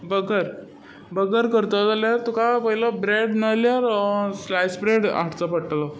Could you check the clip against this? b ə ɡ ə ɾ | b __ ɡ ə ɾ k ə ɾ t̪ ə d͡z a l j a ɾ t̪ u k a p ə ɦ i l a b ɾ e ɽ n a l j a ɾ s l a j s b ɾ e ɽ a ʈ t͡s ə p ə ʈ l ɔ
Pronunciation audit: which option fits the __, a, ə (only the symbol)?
ə